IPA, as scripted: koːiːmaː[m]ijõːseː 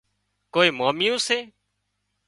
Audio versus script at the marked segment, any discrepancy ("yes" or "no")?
no